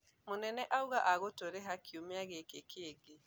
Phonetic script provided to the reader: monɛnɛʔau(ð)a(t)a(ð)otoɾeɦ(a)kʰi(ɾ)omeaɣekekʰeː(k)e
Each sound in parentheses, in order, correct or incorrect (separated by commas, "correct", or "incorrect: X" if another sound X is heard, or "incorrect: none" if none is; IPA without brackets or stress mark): incorrect: ɣ, incorrect: ʔ, incorrect: ɣ, correct, incorrect: none, incorrect: ɡ